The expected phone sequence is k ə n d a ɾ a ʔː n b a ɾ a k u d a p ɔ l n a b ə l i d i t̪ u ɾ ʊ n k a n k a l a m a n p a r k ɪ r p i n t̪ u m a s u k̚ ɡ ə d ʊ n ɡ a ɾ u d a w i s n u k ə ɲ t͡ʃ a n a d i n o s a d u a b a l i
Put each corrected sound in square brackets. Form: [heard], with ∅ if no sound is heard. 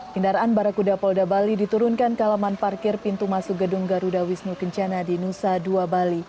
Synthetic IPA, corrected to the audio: k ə n d a ɾ a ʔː n b a ɾ a k u d a p ɔ l [d] a b [a] l i d i t̪ u ɾ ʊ n k a n k a l a m a n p a r k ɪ r p i n t̪ u m a s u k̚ ɡ ə d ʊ [ŋ] ɡ a ɾ u d a w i s n u k ə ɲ t͡ʃ a n a d i n [u] s a d u a b a l i